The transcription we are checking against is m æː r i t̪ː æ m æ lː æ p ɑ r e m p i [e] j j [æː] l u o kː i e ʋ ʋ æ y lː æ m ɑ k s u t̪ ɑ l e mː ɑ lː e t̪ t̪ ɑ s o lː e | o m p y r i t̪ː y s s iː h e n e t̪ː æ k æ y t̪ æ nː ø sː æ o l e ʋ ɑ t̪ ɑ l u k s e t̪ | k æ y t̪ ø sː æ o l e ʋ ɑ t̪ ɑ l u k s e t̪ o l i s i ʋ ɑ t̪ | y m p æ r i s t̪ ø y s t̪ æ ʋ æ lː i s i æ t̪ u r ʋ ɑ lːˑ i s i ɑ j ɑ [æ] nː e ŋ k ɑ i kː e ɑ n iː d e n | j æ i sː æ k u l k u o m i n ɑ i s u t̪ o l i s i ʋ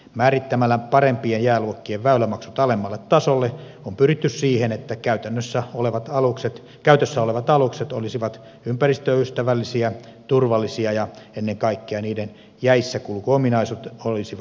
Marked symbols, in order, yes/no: yes, yes, no

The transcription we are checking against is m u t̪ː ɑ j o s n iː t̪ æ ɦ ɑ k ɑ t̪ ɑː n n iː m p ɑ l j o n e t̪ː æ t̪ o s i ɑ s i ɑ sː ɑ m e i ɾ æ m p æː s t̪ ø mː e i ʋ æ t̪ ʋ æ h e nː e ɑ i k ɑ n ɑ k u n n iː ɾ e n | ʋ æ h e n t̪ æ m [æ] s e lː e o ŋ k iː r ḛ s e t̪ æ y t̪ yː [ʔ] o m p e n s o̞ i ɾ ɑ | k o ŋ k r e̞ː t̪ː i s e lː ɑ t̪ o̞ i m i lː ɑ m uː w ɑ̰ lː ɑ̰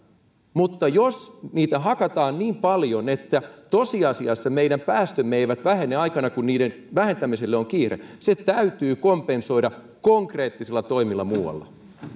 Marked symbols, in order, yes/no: no, no

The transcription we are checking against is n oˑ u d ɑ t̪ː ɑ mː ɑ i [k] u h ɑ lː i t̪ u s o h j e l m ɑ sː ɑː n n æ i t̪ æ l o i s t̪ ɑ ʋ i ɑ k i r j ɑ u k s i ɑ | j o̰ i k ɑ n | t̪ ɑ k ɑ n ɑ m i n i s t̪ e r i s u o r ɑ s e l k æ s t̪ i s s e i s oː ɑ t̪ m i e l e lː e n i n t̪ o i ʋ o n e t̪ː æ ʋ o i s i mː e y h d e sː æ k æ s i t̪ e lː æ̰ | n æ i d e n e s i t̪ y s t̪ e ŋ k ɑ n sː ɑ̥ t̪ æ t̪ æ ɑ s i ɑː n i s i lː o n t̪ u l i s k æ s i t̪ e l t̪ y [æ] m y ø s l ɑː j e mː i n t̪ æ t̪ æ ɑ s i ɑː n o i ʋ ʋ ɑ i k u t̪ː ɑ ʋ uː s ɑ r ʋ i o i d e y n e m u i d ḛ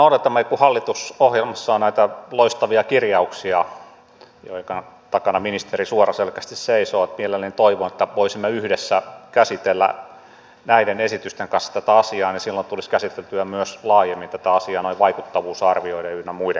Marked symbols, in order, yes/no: yes, yes

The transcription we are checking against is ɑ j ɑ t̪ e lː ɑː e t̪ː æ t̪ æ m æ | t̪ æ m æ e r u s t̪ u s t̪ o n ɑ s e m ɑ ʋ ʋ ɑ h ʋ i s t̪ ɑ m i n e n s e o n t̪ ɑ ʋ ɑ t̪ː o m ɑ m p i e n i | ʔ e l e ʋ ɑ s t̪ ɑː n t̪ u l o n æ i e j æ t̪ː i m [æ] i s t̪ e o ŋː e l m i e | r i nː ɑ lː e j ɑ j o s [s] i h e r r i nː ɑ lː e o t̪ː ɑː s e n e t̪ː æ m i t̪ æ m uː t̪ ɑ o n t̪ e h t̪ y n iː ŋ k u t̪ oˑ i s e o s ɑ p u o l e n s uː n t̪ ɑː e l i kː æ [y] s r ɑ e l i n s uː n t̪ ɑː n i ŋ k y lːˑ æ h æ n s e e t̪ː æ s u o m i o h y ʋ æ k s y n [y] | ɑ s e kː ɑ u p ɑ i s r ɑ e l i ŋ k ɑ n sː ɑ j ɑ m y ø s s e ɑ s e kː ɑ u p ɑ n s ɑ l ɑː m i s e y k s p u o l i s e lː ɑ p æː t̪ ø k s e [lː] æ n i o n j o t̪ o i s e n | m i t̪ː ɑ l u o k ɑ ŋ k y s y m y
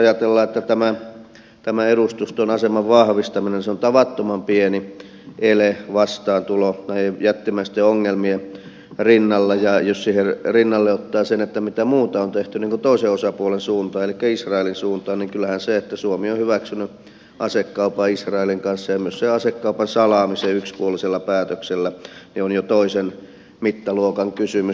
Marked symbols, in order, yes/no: yes, yes, no, yes, yes

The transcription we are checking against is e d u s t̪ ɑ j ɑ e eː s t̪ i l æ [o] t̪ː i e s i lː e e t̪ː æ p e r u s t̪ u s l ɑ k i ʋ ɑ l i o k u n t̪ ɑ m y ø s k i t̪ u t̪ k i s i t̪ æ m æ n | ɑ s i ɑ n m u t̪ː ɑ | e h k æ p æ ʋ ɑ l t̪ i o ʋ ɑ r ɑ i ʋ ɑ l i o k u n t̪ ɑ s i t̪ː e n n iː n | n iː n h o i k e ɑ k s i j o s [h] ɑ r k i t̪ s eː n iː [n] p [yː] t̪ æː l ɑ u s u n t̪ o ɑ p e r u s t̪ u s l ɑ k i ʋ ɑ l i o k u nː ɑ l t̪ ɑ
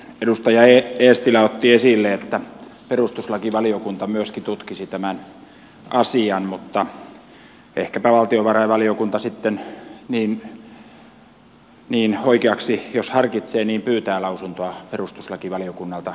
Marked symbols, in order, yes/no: yes, yes, no, yes

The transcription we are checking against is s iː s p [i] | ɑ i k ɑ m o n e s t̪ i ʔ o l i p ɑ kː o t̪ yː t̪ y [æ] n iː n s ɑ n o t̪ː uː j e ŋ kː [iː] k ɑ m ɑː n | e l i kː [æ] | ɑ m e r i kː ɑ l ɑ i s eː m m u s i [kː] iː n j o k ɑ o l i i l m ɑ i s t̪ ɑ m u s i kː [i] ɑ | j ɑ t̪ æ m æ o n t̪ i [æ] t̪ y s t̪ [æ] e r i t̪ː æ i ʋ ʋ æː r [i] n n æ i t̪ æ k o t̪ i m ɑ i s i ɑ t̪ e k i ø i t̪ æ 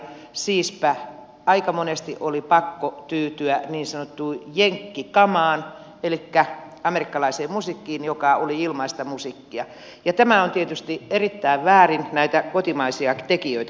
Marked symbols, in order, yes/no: no, yes, no, yes, yes, yes, no, no, yes

